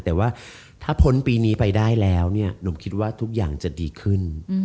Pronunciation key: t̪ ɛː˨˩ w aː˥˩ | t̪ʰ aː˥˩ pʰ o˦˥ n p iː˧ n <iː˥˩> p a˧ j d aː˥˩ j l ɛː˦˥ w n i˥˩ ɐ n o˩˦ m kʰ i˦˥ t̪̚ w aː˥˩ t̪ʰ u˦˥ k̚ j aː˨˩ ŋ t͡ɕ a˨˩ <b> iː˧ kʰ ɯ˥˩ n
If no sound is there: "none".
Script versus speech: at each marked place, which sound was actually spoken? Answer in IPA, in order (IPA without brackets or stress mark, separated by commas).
iː˦˥, d